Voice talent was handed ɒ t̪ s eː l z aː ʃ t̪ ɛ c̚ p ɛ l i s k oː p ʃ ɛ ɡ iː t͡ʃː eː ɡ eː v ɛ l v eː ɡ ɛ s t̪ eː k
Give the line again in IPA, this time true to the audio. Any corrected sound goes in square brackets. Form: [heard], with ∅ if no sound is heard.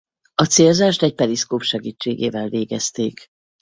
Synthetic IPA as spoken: ɒ t̪ s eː l z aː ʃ t̪ ɛ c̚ p ɛ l i s k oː p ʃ ɛ ɡ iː t͡ʃː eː ɡ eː v ɛ l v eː ɡ ɛ s t̪ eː k